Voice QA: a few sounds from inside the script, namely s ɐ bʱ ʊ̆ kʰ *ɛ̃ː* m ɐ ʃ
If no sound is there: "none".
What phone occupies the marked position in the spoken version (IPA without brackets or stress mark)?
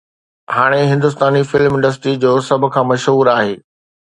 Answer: ãː